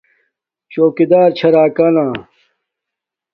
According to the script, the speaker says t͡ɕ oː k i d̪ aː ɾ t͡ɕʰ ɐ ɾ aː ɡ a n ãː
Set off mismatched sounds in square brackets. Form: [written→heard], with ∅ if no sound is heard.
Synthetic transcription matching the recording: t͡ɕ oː k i d̪ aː ɾ t͡ɕʰ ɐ ɾ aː [ɡ→k] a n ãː